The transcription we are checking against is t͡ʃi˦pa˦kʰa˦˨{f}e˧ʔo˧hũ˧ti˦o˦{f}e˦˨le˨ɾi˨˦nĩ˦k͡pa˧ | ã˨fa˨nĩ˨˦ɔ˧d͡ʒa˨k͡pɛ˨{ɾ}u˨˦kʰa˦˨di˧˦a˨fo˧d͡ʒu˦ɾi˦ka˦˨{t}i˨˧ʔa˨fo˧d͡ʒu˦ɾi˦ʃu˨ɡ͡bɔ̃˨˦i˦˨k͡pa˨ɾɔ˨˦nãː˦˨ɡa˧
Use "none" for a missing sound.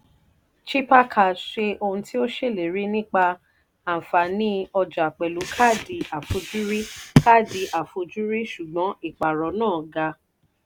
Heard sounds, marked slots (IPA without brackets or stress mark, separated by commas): ʃ, ʃ, l, d